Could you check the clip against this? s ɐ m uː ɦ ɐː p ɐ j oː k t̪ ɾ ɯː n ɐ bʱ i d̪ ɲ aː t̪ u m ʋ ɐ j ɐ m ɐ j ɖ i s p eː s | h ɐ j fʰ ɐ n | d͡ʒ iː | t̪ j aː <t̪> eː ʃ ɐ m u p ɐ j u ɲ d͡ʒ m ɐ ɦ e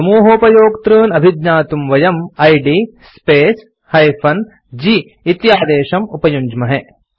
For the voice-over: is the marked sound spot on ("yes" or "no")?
no